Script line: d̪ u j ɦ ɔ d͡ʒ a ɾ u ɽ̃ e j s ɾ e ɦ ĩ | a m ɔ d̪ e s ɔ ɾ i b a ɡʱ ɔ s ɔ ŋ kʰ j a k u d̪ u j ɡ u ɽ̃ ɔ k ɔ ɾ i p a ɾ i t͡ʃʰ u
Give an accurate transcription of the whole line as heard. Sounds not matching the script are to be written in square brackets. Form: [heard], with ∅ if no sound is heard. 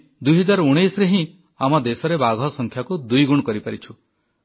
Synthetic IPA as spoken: d̪ u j ɦ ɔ d͡ʒ a ɾ u ɽ̃ e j s ɾ e ɦ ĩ | a m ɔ d̪ e s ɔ ɾ [e] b a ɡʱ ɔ s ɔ ŋ kʰ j a k u d̪ u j ɡ u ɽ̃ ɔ k ɔ ɾ i p a ɾ i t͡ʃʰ u